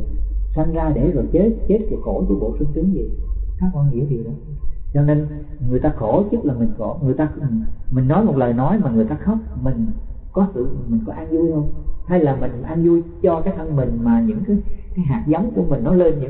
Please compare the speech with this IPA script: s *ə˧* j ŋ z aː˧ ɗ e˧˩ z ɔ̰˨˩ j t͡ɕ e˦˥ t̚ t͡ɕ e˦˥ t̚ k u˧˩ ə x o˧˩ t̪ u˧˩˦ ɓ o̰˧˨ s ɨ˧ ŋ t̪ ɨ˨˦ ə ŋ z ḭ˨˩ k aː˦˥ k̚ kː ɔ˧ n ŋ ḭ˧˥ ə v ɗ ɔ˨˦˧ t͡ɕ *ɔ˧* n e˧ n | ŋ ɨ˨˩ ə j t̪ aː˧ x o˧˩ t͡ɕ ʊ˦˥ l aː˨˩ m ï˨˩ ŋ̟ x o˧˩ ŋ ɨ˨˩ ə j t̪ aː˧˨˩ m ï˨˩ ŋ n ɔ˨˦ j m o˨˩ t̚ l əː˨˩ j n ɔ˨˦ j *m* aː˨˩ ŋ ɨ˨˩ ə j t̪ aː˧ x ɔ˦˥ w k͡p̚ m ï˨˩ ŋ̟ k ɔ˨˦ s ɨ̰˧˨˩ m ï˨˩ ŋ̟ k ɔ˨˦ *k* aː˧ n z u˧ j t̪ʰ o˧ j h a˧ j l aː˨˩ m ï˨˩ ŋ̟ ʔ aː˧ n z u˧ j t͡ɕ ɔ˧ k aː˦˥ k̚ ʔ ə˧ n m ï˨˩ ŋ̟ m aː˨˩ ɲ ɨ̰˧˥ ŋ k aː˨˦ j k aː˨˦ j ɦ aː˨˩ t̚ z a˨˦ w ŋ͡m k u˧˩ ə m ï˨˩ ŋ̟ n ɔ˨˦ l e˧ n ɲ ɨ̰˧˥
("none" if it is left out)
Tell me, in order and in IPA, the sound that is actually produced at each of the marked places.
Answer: a˧, ɔ˧, m, ʔ

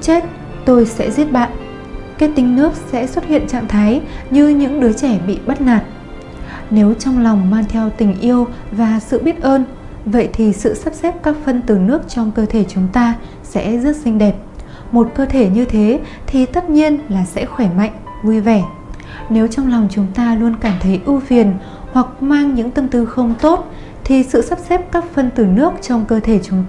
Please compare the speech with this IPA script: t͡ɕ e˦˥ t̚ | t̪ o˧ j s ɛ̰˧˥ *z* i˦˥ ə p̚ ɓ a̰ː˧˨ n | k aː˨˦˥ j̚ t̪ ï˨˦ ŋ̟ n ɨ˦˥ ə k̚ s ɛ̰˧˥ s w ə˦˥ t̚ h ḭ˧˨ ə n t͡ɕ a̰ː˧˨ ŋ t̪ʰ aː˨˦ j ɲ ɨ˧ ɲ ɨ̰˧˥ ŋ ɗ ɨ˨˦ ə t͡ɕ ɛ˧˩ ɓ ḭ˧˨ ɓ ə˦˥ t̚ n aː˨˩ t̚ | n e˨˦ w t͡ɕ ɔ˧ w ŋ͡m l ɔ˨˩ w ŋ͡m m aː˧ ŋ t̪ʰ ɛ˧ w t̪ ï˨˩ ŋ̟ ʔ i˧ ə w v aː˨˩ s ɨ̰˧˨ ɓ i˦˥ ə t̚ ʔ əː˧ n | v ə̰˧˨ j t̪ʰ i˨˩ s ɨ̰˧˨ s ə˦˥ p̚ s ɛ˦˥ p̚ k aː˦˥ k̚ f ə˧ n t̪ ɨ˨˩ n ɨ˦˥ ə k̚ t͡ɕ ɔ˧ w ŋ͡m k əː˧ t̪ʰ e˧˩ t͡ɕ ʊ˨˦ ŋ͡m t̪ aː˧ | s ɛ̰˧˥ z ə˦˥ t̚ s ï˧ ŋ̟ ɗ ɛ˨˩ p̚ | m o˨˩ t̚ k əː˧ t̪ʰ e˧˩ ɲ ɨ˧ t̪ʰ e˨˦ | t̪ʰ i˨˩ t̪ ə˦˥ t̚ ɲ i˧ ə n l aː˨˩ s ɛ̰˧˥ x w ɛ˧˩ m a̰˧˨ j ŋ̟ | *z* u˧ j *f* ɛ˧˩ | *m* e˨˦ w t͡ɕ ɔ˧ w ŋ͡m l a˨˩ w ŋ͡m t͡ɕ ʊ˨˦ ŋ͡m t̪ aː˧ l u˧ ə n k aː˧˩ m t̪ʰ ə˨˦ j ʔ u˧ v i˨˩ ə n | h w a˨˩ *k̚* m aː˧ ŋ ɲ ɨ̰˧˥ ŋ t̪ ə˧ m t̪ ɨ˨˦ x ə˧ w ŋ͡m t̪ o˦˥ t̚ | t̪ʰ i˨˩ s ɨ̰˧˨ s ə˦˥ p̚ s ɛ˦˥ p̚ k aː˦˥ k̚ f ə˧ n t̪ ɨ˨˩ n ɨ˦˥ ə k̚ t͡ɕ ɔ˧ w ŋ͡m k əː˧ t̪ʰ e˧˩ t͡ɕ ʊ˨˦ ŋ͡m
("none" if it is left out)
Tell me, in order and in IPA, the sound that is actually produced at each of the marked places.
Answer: z, v, v, n, k̚

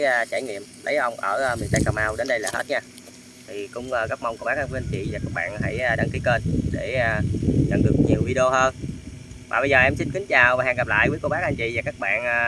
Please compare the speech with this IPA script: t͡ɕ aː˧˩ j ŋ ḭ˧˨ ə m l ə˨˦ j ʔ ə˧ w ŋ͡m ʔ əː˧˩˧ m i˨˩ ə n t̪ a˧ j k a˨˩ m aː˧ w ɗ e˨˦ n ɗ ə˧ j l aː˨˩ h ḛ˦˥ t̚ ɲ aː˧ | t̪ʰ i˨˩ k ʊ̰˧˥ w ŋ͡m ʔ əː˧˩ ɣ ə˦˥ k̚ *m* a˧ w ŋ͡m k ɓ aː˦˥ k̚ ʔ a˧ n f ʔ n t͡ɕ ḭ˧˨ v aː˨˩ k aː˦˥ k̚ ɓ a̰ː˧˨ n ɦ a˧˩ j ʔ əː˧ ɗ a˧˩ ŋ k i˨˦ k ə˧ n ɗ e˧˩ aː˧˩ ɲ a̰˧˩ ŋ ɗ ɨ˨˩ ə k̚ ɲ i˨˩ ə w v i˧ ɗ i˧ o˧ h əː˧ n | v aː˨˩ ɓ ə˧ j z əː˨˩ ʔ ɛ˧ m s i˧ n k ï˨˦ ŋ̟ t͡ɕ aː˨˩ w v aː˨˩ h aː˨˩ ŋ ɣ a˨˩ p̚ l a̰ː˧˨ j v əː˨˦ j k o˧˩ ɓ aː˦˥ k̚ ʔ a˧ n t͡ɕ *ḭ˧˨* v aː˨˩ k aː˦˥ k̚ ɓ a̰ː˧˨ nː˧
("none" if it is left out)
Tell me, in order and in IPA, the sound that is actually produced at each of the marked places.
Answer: m, ḭ˧˨

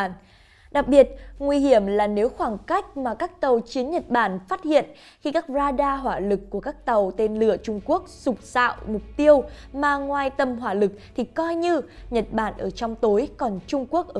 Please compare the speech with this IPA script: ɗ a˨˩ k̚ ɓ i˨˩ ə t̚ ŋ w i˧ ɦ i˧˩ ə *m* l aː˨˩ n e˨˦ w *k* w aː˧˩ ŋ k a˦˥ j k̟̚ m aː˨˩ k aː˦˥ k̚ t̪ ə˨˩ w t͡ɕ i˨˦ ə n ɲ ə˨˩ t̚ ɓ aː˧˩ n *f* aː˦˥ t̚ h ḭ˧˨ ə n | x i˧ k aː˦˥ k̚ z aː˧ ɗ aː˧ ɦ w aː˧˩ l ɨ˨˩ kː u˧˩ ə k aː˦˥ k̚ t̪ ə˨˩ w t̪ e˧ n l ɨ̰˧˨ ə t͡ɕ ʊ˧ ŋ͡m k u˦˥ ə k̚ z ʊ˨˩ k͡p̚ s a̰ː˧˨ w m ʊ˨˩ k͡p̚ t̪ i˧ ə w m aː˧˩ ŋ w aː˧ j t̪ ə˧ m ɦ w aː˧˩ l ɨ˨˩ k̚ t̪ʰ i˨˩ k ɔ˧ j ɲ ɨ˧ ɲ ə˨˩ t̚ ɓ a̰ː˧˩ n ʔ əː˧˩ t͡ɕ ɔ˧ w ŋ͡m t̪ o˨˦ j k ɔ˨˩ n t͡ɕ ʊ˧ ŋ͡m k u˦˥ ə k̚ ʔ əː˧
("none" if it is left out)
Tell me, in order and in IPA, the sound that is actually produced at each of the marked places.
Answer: m, x, f

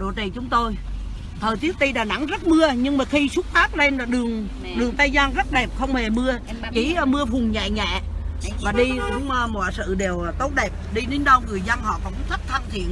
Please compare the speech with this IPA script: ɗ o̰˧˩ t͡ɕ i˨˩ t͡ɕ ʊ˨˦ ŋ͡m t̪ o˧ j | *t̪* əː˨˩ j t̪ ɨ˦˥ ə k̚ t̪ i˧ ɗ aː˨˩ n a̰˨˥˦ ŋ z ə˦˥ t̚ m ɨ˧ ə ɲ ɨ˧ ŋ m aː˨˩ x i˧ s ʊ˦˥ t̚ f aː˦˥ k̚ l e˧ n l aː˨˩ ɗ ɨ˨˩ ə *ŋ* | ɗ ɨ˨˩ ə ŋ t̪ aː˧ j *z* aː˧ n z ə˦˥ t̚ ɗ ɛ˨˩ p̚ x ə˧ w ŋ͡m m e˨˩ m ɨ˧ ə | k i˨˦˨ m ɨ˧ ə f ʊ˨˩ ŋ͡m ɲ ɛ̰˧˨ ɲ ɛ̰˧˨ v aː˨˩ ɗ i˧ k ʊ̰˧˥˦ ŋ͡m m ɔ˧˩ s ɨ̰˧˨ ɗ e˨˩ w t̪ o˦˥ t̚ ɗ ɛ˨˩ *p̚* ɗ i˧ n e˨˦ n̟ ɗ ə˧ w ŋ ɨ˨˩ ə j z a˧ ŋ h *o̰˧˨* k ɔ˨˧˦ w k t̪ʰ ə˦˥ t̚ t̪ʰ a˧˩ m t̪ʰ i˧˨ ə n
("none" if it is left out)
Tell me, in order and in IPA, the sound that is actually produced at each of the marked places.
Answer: t̪ʰ, ŋ, z, p̚, ɔ̰˧˨

